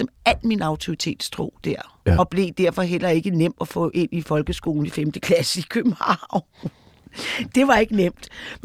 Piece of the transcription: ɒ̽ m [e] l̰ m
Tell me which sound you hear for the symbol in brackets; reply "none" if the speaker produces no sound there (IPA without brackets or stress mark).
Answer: æ